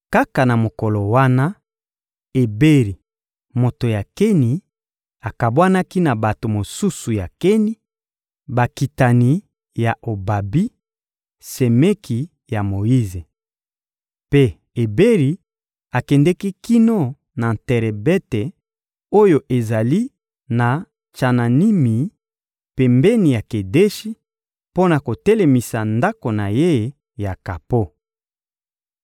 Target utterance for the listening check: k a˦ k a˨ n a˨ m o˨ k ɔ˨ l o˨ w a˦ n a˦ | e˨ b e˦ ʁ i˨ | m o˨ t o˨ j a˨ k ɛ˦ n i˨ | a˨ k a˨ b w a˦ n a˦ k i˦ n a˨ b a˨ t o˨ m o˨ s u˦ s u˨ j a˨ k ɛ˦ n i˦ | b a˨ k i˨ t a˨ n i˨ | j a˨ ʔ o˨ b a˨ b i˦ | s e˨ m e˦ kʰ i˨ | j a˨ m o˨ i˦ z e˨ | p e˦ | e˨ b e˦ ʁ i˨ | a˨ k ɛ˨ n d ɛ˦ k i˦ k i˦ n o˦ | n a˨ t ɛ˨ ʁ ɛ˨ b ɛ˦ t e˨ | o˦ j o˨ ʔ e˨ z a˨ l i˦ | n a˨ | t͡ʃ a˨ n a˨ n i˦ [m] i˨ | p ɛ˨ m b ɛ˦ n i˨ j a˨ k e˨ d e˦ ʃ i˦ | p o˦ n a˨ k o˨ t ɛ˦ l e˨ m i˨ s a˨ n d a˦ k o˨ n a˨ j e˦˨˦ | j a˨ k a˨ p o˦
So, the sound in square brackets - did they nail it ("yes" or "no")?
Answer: yes